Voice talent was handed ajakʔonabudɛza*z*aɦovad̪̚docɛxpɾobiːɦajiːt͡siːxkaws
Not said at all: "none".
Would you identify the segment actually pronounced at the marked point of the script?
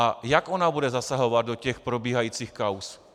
s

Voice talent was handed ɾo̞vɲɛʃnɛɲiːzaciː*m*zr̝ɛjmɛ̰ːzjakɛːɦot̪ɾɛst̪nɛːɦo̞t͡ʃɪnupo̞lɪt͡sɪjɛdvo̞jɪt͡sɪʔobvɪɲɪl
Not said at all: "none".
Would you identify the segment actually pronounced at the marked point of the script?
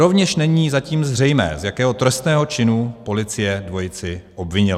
m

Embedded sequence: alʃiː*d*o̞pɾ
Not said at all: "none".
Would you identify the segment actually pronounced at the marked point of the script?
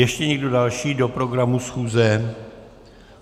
d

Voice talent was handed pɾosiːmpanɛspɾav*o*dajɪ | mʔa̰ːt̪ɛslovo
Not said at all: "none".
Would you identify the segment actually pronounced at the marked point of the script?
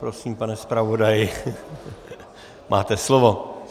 o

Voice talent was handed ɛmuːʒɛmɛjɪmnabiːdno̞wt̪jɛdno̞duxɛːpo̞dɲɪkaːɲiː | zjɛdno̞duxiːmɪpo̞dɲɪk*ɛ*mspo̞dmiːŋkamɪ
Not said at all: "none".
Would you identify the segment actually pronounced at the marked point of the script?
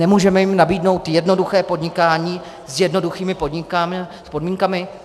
a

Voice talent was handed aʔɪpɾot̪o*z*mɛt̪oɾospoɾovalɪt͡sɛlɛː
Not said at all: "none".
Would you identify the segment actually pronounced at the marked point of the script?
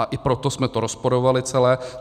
s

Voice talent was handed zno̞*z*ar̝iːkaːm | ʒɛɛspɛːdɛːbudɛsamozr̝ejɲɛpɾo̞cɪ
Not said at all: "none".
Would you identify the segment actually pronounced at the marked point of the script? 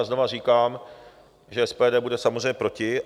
v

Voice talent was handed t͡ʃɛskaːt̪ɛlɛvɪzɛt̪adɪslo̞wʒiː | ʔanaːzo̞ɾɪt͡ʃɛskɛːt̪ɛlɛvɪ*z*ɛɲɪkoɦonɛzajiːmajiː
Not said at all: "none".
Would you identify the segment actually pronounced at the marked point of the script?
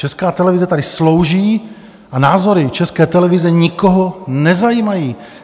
z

